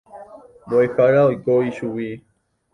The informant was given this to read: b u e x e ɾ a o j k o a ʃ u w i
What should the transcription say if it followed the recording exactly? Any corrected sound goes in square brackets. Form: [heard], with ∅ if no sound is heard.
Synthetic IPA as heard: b [o] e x [a] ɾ a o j k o [i] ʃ u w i